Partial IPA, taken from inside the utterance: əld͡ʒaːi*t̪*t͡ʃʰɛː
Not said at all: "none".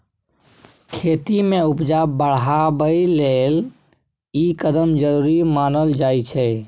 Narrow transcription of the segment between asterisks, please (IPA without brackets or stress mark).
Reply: none